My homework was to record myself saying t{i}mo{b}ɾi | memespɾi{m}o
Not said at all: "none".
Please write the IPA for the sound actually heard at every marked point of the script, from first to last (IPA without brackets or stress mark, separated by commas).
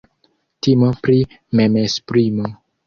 i, p, m